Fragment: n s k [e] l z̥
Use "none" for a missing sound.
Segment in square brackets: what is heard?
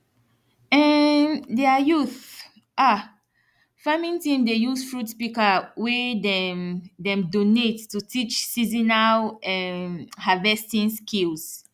i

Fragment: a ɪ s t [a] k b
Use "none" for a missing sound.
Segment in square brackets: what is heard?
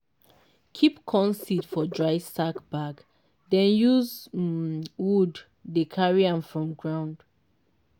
a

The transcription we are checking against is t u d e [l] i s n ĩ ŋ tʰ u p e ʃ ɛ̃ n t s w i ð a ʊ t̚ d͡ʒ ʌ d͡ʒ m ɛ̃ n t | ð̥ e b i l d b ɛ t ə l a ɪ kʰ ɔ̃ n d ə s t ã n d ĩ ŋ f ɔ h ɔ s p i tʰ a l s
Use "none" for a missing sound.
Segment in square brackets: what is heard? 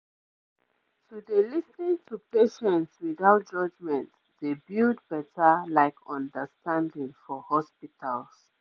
l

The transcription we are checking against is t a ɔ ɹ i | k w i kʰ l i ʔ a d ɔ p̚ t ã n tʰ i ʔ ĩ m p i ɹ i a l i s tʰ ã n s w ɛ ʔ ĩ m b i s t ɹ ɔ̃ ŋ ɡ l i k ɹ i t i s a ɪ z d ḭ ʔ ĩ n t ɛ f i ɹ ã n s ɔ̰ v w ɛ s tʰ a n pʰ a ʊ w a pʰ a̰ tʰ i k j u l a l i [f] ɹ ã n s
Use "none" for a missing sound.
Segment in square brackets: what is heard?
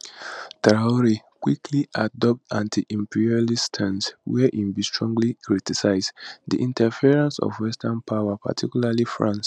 f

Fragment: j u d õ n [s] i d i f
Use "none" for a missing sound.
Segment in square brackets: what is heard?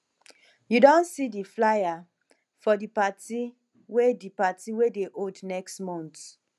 s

